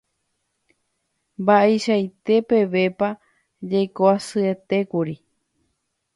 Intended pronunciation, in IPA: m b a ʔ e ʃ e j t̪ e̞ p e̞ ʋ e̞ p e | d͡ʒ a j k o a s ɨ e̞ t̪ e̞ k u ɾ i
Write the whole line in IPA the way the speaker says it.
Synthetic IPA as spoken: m b a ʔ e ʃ a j t̪ e̞ p e̞ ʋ e̞ p a | d͡ʒ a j k o a s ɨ e̞ t̪ e̞ k u ɾ i